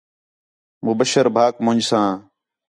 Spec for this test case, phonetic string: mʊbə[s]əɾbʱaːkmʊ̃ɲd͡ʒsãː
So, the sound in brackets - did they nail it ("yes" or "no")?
no